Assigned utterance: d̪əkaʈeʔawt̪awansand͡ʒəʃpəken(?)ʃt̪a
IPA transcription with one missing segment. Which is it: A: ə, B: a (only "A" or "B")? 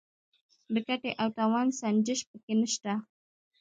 A